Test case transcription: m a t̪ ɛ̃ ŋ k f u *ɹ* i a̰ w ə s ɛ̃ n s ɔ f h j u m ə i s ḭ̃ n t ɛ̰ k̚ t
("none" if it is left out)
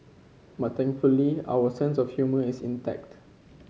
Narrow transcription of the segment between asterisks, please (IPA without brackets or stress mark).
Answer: l